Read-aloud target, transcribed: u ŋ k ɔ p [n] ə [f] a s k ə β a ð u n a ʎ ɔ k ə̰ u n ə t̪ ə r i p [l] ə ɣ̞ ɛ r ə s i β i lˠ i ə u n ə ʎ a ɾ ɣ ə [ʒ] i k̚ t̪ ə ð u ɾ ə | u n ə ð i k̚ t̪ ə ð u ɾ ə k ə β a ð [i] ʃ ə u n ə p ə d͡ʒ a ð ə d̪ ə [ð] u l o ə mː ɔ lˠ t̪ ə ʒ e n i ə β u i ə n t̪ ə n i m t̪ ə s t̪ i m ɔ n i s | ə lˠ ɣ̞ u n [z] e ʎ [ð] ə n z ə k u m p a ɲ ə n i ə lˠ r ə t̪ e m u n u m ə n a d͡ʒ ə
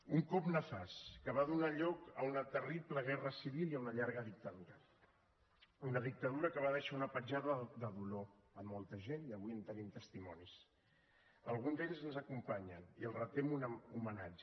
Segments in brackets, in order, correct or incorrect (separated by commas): correct, correct, correct, incorrect, incorrect, correct, correct, incorrect